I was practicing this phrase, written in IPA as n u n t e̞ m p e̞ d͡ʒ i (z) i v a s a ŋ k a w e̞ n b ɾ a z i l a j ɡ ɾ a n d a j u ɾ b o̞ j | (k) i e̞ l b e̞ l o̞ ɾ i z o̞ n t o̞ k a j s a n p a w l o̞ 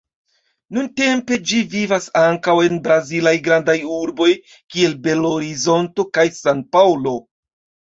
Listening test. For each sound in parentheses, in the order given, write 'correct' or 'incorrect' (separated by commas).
incorrect, correct